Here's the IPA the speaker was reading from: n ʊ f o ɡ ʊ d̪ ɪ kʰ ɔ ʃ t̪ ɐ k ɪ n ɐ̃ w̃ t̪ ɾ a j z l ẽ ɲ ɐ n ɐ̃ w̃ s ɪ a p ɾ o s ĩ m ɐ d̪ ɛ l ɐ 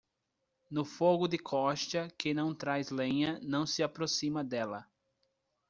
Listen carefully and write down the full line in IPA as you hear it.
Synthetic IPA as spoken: n ʊ f o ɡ ʊ d̪ ɪ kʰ ɔ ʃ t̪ ɐ k ɪ n ɐ̃ w̃ t̪ ɾ a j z l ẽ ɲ ɐ n ɐ̃ w̃ s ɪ a p ɾ o s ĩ m ɐ d̪ ɛ l ɐ